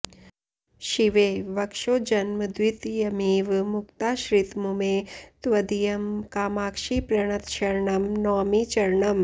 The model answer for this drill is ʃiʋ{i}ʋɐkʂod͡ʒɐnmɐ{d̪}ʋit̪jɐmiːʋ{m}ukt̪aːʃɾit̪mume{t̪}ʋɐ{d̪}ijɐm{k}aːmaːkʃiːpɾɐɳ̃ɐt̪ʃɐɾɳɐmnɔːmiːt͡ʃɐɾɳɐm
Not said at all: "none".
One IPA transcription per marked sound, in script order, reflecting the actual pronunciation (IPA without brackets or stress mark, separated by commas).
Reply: e, d̪, m, t̪, d̪, k